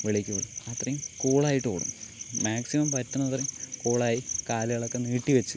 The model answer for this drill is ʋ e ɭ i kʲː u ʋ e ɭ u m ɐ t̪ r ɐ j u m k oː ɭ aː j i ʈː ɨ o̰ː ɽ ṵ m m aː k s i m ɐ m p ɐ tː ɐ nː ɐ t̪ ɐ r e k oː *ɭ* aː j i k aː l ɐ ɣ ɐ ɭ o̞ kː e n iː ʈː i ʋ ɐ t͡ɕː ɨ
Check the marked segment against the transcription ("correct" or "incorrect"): correct